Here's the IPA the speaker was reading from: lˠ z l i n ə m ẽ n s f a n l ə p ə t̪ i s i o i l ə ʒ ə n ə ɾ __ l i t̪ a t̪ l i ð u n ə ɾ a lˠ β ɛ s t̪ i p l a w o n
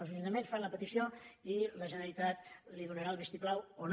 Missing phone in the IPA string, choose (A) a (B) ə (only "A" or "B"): B